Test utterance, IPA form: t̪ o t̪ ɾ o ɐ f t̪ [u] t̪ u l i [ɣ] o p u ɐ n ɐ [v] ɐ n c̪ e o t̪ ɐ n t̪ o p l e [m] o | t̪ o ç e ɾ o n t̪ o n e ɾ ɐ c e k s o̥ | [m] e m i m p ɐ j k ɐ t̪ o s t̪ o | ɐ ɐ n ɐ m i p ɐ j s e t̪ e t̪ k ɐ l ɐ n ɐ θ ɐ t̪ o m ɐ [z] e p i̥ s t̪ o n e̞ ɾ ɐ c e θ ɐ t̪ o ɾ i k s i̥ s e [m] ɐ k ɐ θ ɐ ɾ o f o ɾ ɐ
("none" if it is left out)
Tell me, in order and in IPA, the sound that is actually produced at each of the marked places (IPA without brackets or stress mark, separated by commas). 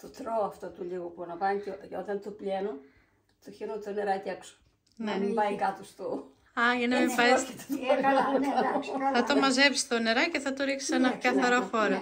o, ɣ, v, n, n, z, n